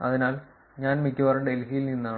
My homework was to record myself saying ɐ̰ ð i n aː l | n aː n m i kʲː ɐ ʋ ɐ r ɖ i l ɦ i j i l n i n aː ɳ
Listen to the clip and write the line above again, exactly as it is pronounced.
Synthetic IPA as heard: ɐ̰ ð i n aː l | ɲ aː n m i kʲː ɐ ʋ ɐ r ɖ e l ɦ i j i l n i nː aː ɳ

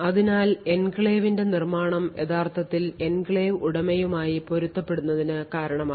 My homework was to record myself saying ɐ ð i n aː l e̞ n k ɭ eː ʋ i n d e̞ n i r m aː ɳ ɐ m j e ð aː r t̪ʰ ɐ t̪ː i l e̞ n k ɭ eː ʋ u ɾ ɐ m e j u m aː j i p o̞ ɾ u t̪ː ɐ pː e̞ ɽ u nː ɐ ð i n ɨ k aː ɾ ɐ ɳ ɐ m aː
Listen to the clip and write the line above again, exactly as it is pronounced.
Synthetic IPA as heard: ɐ ð i n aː l e̞ n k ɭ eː ʋ i n d e̞ n i r m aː ɳ ɐ m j e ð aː r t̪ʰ ɐ t̪ː i l e̞ n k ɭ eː ʋ u ɽ ɐ m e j u m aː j i p o̞ ɾ u t̪ː ɐ pː e̞ ɽ u nː ɐ ð i n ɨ k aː ɾ ɐ ɳ ɐ m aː

